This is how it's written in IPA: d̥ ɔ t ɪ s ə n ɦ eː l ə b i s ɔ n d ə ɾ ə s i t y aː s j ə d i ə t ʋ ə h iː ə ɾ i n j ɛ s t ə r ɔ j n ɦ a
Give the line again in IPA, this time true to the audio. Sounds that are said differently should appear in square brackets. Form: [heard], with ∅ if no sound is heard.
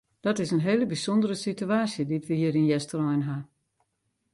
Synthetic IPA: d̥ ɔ t ɪ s ə n ɦ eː l ə b i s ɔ n d ə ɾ ə s i t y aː s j ə d i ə t ʋ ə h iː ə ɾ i n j ɛ s t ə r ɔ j n ɦ a